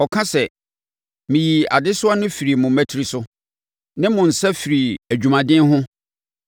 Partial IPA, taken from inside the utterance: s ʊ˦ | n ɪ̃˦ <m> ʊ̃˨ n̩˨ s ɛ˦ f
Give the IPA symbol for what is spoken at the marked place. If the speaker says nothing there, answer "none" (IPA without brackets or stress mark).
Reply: m